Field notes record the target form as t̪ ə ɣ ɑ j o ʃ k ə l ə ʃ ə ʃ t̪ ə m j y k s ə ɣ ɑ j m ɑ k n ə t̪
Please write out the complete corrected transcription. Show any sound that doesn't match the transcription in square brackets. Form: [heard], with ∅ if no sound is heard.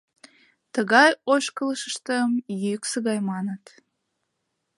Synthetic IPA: t̪ ə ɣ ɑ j o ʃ k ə l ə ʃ ə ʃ t̪ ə m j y k s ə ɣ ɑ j m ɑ [∅] n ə t̪